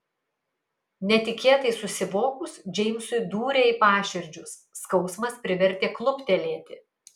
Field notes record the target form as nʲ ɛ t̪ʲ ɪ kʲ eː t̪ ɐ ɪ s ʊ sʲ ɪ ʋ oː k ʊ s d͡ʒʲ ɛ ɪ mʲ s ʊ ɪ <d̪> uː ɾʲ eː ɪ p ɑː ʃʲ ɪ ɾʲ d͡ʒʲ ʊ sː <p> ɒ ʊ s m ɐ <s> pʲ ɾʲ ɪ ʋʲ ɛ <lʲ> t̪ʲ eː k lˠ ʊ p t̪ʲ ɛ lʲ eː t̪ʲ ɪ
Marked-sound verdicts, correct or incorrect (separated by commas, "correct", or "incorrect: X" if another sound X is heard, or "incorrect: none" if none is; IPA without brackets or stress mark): correct, incorrect: k, correct, incorrect: ɾʲ